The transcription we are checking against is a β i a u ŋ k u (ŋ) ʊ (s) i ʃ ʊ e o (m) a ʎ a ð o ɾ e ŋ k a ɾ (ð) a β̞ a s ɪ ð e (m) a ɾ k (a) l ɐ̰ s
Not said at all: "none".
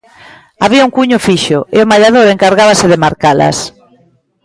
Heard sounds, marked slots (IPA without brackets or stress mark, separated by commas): ɲ, f, m, ɣ, m, a